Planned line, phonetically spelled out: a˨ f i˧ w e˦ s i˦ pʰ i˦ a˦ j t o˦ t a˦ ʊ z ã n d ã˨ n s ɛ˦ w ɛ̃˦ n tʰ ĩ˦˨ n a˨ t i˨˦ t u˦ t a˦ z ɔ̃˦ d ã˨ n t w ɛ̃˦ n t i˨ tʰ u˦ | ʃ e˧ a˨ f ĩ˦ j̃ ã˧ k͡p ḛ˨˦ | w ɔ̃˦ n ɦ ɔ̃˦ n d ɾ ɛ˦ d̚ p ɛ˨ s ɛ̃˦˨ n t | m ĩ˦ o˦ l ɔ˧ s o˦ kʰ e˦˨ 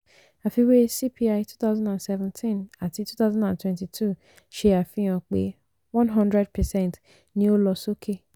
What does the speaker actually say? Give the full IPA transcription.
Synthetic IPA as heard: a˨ f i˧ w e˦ s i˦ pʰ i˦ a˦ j t u˦ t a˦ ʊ z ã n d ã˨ n s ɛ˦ v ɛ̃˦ n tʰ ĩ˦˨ n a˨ t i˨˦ t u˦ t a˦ z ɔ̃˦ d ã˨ n t w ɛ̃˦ n t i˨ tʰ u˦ | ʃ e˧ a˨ f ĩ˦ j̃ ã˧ k͡p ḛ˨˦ | w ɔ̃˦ n ɦ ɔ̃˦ n d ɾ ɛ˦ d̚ p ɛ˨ s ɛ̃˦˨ n t | n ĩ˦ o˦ l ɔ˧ s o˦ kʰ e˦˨